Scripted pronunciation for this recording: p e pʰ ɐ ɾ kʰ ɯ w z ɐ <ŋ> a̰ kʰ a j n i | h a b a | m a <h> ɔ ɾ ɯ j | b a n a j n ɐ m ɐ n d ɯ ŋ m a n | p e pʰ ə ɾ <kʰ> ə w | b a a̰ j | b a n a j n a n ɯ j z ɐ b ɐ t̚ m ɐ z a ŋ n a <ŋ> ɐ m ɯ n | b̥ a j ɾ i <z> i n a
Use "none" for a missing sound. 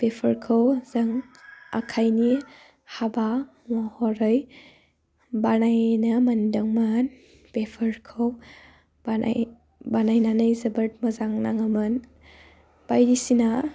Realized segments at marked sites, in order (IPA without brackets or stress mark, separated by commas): ŋ, h, kʰ, ŋ, s